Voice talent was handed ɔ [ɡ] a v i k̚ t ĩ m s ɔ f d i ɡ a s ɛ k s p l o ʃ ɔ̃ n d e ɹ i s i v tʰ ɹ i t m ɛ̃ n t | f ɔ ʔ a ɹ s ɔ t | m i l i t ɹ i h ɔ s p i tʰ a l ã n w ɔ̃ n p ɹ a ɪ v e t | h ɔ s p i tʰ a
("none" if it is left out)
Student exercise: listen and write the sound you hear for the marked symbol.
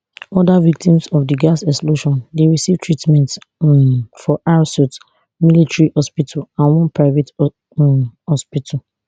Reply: d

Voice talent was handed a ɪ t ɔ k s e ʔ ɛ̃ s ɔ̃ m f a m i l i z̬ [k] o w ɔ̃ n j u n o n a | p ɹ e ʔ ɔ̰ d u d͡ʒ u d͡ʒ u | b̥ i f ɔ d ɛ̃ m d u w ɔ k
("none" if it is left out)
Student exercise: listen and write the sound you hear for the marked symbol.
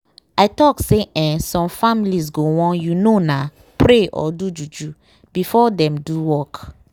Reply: ɡ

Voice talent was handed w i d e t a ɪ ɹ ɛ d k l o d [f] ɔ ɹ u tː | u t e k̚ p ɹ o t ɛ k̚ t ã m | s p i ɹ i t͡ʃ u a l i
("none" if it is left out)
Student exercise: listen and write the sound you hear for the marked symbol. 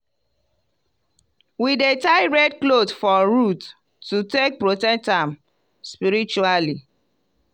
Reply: f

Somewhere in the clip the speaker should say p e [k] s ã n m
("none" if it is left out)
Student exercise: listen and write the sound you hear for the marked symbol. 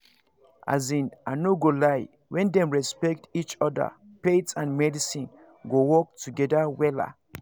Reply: t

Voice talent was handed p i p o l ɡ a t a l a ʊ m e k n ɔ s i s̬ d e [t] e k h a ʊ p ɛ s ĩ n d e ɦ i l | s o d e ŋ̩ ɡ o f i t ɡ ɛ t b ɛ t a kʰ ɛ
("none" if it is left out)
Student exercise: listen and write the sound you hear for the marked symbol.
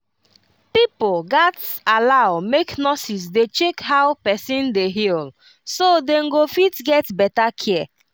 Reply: t͡ʃ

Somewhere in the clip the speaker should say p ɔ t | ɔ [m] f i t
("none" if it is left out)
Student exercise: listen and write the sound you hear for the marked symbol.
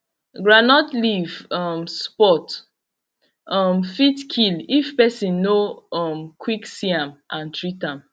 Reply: m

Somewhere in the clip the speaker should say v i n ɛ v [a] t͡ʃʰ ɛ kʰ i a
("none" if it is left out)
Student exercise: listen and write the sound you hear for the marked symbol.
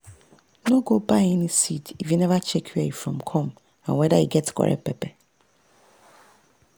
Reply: a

